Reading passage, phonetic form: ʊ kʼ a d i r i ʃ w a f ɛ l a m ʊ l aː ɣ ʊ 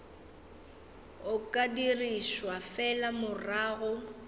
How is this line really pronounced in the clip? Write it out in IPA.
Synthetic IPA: ʊ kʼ a d i r i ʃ w a f ɛ l a m ʊ r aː ɣ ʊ